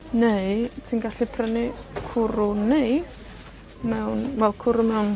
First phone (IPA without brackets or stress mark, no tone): n